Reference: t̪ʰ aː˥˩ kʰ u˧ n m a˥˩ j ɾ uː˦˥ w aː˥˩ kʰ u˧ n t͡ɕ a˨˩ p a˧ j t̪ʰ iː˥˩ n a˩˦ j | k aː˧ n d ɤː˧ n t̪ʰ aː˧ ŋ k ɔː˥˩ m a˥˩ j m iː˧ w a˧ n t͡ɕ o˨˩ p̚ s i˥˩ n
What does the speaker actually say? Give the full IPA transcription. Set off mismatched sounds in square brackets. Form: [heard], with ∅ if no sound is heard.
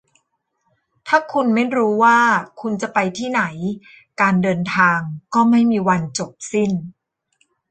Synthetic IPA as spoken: t̪ʰ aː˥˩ kʰ u˧ n m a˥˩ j ɾ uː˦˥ w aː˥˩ kʰ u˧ n t͡ɕ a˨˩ p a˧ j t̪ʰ iː˥˩ n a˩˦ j | k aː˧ n d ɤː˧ n t̪ʰ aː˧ ŋ k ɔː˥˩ m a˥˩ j m iː˧ w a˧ n t͡ɕ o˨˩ p̚ s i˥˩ n

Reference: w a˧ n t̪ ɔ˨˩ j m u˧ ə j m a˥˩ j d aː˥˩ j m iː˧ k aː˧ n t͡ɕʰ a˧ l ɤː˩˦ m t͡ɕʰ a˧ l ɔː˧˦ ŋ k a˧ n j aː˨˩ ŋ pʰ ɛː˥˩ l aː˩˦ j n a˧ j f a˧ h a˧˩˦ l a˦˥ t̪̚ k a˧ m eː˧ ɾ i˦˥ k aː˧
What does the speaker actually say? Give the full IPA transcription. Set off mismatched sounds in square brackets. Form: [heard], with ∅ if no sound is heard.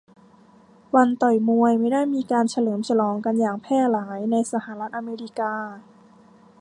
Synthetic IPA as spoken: w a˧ n t̪ ɔ˨˩ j m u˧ ə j m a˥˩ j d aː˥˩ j m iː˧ k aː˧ n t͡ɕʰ a˧ l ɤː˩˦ m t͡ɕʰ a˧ l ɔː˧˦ ŋ k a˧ n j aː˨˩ ŋ pʰ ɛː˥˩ l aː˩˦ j n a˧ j [s] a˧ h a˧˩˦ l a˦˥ t̪̚ [ʔ] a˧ m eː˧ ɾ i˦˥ k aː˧

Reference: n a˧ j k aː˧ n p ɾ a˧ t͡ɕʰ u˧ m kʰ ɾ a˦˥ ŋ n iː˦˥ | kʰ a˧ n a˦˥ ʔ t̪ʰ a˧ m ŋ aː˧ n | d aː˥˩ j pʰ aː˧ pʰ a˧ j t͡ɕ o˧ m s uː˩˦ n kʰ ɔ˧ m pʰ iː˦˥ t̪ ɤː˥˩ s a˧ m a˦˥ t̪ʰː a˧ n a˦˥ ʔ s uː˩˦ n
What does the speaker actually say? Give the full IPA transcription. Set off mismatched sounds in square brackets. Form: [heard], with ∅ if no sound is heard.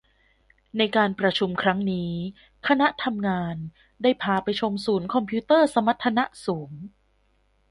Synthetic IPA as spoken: n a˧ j k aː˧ n p ɾ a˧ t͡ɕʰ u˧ m kʰ ɾ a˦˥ ŋ n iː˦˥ | kʰ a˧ n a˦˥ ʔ t̪ʰ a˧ m ŋ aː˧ n | d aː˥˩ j pʰ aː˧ [p] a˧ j [t͡ɕʰ] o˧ m s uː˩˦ n kʰ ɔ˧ m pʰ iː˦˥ t̪ ɤː˥˩ s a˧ m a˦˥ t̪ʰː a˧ n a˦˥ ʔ s uː˩˦ [ŋ]

